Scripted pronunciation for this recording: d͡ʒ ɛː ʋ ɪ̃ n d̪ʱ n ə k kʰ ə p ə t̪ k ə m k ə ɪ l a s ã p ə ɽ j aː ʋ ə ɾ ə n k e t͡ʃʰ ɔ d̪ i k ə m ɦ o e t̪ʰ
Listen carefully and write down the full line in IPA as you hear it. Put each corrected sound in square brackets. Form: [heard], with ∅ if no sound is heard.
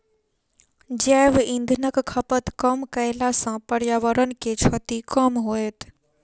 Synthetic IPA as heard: d͡ʒ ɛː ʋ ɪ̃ n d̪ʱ n ə k kʰ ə p ə t̪ k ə m k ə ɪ l a s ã p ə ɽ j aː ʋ ə ɾ ə n k e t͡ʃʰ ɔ [t̪] i k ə m ɦ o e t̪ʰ

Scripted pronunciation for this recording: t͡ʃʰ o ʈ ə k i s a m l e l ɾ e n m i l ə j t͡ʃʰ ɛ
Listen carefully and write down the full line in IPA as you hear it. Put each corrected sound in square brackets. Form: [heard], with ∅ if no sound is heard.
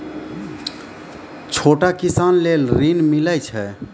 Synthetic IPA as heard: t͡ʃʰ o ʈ [a] k i s a [n] l e l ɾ [i] n m i l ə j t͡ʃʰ ɛ

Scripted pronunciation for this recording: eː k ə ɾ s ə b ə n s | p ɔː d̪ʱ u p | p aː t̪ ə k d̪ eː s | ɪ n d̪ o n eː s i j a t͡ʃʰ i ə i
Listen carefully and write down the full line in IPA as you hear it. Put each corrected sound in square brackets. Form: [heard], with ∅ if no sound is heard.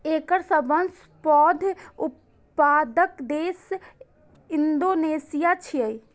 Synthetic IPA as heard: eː k ə ɾ s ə b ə n s | p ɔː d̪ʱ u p | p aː [d̪] ə k d̪ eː s | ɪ n d̪ o n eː s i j a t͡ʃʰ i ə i

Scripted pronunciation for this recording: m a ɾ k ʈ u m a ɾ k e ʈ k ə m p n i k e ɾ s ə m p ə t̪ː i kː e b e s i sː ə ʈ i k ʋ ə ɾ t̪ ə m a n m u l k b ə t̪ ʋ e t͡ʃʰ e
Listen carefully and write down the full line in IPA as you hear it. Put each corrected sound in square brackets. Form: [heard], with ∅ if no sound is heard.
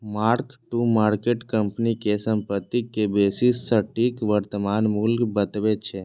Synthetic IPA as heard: m a ɾ k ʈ u m a ɾ k e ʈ k ə m p n i k e [∅] s ə m p ə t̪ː i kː e b e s i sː ə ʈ i k ʋ ə ɾ t̪ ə m a n m u l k b ə t̪ ʋ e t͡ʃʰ e

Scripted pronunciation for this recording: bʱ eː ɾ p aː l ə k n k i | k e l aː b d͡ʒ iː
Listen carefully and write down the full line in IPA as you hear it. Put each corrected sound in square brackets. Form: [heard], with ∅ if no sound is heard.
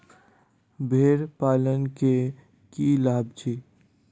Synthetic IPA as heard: bʱ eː ɾ p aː l ə [∅] n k [e] | k [i] l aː b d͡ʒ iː

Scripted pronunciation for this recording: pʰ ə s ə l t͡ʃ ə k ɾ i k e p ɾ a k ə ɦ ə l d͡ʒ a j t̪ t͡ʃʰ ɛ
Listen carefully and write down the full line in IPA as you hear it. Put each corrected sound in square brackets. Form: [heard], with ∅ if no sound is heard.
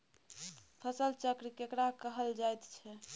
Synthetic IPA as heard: pʰ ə s ə l t͡ʃ ə k ɾ i k e [k] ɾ a k ə ɦ ə l d͡ʒ a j t̪ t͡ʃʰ ɛ

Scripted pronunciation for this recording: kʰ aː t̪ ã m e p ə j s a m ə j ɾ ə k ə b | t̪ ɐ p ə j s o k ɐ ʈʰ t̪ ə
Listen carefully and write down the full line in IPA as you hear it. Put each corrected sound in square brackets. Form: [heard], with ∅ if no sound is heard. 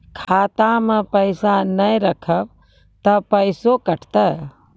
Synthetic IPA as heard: kʰ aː t̪ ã m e p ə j s a [n] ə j ɾ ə [kʰ] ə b | t̪ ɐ p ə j s o k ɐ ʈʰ t̪ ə

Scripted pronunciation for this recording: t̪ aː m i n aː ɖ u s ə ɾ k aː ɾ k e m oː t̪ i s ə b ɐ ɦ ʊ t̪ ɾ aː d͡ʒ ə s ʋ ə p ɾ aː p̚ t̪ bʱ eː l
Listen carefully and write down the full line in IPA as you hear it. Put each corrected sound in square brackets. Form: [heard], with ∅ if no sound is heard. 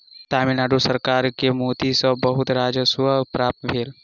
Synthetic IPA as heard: t̪ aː m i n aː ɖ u s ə ɾ k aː ɾ k e m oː t̪ i s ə b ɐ ɦ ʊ t̪ ɾ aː d͡ʒ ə s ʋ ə p ɾ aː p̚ t̪ bʱ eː l

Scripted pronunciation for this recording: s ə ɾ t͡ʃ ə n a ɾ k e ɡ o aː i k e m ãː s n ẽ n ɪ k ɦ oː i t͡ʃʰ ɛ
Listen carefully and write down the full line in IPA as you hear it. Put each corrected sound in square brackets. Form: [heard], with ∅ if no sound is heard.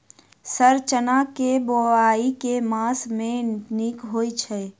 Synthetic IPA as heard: s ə ɾ t͡ʃ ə n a [∅] k e [b] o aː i k e m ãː s [m] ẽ n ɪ k ɦ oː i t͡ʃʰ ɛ

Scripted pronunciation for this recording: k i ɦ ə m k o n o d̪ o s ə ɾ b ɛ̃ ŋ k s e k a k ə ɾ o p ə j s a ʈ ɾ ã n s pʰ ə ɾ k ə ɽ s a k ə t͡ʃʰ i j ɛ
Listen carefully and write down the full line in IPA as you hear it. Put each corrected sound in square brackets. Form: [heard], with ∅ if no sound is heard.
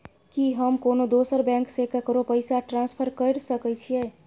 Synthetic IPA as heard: k i ɦ ə m k o n o d̪ o s ə ɾ b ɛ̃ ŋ k s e k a k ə ɾ o p ə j s a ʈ ɾ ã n s pʰ ə ɾ k ə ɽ s [ə] k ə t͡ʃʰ i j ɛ

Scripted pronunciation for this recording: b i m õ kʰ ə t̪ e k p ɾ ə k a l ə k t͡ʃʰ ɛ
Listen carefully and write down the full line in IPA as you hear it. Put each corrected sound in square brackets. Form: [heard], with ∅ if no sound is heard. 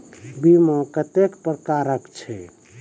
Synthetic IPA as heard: b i m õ [k] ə t̪ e k p ɾ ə k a [ɾ] ə k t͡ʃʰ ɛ

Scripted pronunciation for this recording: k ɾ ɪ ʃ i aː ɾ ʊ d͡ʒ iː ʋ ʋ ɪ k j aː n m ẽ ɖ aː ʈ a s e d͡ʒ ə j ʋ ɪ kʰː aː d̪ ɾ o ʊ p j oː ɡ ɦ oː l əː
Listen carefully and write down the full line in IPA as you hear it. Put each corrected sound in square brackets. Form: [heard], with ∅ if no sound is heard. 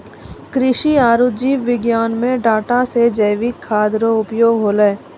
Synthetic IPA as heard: k ɾ ɪ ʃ i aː ɾ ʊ d͡ʒ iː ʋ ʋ ɪ [ɡ] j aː n m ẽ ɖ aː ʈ a s e d͡ʒ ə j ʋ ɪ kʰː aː d̪ ɾ o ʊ p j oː ɡ ɦ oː l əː

